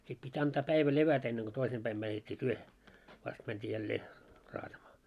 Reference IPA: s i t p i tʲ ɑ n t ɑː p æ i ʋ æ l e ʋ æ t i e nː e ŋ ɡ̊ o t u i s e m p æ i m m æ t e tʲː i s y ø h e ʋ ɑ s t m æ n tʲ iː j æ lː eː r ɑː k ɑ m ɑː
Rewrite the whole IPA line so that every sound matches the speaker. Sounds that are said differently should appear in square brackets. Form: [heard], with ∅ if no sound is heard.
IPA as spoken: s i t p i tʲ ɑ n t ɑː p æ i ʋ æ l e ʋ æ t [æ] e nː e ŋ ɡ̊ o t [o] i s e m p æ i m m æ t e tʲː i [t] y ø h e ʋ ɑ s t m æ n tʲ iː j æ lː eː r ɑː [t] ɑ m ɑː